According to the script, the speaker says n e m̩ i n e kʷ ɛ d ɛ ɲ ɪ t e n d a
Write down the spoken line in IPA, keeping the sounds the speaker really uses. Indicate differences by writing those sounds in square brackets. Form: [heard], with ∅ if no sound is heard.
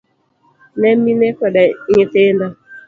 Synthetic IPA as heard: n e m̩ i n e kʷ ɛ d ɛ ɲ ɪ t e n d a